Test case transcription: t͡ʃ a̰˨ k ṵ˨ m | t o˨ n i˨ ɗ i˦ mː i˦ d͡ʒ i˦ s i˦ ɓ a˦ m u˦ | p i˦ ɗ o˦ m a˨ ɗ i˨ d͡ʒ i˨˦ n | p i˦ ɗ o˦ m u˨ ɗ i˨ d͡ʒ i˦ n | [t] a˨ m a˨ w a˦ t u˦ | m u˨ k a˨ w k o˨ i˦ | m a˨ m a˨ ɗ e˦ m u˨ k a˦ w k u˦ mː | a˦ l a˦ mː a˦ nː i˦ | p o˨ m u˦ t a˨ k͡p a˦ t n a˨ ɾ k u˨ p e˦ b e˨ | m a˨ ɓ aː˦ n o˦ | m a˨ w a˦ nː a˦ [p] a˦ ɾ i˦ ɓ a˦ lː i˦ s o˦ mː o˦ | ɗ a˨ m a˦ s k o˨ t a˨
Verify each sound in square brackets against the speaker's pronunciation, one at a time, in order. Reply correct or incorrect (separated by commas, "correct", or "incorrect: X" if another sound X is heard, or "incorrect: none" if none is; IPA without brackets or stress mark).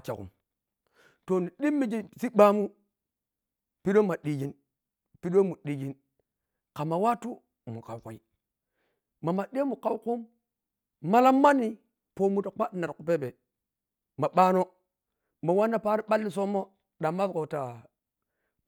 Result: incorrect: k, correct